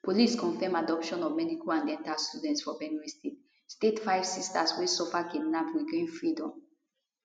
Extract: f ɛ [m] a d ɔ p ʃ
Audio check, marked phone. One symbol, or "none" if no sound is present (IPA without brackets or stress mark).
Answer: m